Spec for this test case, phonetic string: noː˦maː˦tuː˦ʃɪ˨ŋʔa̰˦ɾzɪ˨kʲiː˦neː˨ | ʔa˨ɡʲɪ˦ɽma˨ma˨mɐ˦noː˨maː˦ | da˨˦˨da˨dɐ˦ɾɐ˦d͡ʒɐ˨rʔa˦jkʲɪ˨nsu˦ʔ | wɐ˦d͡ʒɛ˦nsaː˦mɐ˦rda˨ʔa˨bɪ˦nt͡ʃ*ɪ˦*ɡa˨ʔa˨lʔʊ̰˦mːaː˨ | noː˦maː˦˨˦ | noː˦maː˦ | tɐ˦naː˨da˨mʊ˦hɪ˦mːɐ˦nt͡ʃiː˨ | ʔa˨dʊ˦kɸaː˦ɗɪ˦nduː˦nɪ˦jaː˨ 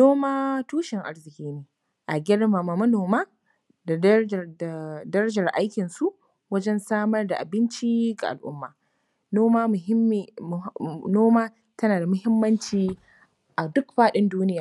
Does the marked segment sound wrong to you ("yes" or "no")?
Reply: yes